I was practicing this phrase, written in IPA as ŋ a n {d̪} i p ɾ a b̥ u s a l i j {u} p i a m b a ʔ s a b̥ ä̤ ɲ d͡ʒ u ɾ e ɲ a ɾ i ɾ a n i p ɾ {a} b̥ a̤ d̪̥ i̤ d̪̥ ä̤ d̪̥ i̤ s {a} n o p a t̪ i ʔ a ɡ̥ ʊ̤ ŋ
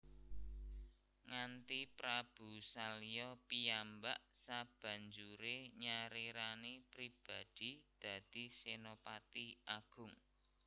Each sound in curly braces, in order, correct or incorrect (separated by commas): incorrect, incorrect, incorrect, incorrect